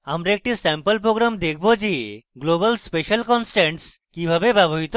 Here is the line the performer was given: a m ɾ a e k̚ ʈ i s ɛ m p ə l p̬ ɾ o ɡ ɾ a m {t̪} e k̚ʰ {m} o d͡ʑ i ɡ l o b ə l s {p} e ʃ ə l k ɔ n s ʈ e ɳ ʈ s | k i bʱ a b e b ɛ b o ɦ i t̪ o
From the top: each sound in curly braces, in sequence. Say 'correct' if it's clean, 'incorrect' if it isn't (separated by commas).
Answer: incorrect, incorrect, correct